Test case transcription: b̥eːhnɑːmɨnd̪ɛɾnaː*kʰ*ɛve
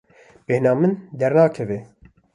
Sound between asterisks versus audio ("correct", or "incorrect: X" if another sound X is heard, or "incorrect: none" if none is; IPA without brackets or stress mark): correct